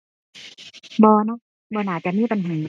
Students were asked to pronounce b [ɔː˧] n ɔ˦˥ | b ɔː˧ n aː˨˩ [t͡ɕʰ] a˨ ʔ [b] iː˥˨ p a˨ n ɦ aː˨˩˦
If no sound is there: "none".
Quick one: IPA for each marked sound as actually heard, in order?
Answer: ɔː˧, t͡ɕ, m

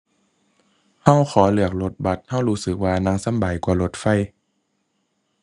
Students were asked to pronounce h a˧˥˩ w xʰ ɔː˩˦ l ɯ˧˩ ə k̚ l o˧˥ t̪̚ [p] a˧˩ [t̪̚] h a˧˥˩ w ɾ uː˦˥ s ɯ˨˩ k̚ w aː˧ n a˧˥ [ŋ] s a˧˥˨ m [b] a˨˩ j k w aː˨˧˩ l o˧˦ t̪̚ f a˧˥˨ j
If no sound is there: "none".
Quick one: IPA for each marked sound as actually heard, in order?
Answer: b, t̪̚, ŋ, b

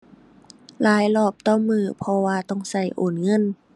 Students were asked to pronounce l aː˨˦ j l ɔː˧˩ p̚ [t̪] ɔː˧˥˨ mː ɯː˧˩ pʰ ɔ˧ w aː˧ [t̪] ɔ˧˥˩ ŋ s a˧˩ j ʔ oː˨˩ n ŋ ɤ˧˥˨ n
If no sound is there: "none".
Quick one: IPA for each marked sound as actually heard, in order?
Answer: t̪, t̪

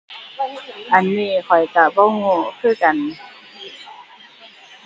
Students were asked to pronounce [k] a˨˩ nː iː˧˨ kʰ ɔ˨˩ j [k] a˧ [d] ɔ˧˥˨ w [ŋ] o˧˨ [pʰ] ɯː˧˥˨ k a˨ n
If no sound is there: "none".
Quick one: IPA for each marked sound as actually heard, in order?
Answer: ʔ, k, b, ŋ, kʰ

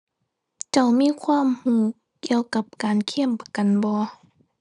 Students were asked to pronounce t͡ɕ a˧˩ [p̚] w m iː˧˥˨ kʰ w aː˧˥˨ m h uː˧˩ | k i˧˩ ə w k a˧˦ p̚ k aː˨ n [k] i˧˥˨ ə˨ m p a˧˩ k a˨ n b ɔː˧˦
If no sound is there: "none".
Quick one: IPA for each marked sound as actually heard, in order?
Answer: none, kʰ

